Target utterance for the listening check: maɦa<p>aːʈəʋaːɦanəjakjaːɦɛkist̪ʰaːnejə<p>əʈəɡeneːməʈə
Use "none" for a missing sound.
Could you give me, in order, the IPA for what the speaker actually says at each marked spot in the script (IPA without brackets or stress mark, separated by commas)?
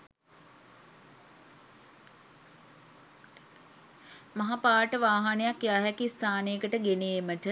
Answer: p, k